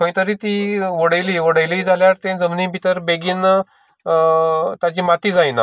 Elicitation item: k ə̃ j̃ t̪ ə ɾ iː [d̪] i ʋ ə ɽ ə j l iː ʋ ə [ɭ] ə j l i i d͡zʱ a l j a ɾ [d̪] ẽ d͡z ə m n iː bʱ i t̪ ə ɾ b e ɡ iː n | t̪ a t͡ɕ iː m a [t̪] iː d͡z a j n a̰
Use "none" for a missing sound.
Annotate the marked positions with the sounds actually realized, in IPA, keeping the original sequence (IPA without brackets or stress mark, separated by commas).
t̪, ɽ, t̪, t̪